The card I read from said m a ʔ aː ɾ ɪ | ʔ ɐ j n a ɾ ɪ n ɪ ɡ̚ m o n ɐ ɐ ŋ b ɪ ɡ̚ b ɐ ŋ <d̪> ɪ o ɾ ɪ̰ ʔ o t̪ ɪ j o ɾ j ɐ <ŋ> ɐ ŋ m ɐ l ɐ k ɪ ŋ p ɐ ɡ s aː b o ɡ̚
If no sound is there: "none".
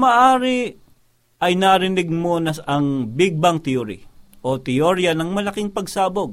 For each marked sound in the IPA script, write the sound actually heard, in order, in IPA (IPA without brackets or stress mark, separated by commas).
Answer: t̪, n